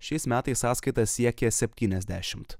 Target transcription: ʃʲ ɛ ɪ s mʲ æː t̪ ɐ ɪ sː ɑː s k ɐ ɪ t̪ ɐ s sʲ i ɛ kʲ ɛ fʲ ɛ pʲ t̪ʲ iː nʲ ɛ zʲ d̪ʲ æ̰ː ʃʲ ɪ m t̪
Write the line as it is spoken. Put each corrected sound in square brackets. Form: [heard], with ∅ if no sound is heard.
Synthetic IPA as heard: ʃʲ ɛ ɪ s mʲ æː t̪ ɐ ɪ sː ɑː s k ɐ ɪ t̪ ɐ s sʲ i ɛ kʲ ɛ [sʲ] ɛ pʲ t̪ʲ iː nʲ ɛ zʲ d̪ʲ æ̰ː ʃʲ ɪ m t̪